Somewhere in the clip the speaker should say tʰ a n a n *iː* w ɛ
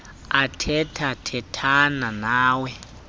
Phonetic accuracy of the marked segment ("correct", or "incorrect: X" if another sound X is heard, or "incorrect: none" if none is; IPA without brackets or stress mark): incorrect: aː